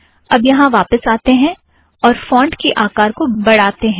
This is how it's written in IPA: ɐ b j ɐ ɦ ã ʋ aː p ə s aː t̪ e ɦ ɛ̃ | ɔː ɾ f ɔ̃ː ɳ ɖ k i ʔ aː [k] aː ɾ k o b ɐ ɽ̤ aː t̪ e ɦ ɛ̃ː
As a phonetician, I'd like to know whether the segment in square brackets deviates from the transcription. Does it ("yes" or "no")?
no